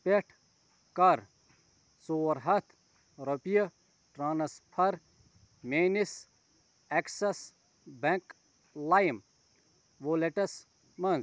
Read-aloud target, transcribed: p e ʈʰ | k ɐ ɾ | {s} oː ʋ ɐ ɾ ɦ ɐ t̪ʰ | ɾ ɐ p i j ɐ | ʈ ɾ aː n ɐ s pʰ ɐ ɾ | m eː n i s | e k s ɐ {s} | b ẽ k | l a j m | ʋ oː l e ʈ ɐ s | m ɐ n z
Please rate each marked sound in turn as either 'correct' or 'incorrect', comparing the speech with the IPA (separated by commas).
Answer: correct, correct